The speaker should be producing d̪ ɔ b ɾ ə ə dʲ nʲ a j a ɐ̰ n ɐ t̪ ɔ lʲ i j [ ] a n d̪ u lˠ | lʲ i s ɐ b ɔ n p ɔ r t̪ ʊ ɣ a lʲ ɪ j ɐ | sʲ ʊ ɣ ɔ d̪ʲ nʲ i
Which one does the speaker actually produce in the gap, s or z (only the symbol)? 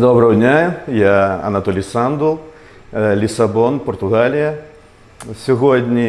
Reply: s